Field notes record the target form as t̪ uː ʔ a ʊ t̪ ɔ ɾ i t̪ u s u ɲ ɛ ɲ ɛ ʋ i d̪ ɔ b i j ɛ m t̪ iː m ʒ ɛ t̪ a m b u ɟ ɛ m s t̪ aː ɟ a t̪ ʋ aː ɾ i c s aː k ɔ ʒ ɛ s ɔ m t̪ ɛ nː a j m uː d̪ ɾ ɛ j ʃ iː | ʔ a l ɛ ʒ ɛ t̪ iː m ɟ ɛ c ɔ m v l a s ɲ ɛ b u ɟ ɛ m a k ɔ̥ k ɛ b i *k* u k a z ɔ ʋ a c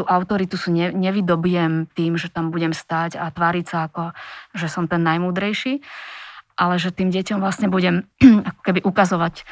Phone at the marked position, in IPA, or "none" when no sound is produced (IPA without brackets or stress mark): ʔ